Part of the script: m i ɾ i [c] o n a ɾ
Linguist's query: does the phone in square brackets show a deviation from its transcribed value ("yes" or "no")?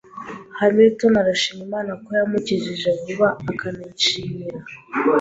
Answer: yes